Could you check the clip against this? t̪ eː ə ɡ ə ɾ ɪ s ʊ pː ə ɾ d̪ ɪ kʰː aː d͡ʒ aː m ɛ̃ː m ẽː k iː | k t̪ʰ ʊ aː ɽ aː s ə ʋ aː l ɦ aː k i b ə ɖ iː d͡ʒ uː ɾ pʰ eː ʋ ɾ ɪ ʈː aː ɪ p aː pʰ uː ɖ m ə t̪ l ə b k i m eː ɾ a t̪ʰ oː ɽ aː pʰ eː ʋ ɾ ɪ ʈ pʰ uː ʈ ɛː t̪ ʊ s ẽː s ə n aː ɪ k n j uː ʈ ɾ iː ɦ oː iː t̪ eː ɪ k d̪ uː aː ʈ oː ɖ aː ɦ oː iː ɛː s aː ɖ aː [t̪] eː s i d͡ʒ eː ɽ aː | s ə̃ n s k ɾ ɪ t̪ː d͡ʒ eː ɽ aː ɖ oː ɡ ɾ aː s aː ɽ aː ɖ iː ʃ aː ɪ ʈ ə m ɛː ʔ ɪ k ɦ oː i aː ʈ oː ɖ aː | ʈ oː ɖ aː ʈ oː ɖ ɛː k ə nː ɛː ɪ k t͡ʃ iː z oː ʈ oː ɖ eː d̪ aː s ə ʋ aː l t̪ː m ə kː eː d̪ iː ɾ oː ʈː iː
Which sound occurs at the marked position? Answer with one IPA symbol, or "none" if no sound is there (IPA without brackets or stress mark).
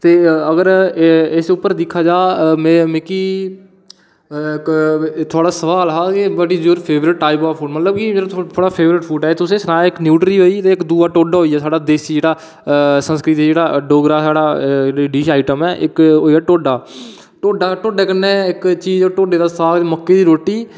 d̪